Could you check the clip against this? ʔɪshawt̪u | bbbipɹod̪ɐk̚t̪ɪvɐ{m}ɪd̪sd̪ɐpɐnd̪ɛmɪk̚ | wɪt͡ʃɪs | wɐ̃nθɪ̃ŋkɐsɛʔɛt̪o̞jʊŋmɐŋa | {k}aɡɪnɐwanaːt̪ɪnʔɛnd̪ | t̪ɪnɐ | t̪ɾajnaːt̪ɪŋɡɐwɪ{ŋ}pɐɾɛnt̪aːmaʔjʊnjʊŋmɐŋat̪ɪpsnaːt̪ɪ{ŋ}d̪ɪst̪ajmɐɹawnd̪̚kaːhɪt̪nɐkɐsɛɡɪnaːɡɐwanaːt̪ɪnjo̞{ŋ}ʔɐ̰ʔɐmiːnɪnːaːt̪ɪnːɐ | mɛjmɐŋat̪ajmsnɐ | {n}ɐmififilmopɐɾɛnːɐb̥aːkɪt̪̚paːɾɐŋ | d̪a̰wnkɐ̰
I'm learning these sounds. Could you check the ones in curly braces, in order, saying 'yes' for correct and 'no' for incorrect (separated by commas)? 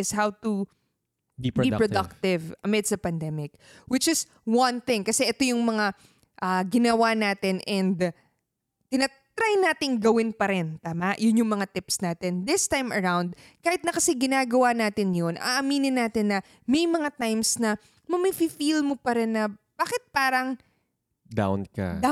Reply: yes, no, no, no, no, no